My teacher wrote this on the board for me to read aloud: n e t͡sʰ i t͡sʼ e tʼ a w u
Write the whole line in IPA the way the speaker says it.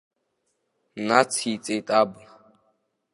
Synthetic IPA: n a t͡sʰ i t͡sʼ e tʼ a b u